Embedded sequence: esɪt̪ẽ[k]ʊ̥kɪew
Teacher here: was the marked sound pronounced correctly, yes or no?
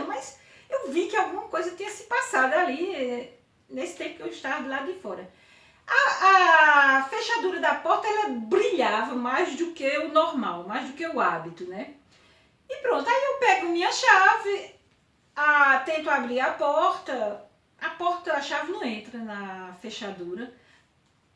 no